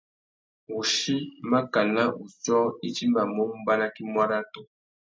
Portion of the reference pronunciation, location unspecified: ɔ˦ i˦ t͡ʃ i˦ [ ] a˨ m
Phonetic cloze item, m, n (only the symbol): m